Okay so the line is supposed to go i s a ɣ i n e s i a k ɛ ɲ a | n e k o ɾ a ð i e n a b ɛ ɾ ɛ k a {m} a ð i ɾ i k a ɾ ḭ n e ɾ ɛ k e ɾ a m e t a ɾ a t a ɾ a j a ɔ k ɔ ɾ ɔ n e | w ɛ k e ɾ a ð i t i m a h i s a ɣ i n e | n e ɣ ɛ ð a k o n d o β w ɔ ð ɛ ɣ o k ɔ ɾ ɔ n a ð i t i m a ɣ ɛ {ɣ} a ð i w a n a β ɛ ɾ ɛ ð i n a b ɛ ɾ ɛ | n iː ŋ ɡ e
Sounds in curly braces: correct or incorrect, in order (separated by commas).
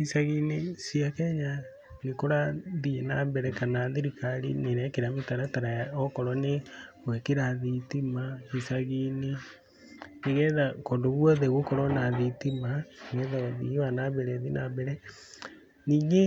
incorrect, incorrect